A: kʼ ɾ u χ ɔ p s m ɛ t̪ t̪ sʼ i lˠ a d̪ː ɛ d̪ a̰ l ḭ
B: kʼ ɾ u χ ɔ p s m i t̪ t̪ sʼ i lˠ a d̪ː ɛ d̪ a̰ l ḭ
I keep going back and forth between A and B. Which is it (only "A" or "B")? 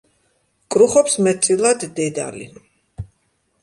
A